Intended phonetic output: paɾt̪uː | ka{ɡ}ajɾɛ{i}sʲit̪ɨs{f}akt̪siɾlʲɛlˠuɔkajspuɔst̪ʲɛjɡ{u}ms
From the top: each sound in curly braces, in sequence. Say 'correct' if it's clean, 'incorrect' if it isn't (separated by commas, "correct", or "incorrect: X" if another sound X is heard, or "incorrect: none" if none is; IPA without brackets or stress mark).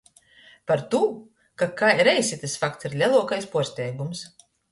incorrect: k, incorrect: j, correct, correct